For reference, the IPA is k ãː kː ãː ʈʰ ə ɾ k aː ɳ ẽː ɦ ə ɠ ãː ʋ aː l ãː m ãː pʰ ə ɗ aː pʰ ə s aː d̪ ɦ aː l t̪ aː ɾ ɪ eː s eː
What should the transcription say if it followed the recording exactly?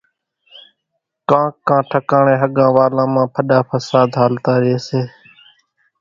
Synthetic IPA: k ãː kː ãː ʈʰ ə k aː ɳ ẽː ɦ ə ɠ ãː ʋ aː l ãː m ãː pʰ ə ɗ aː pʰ ə s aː d̪ ɦ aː l t̪ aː ɾ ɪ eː s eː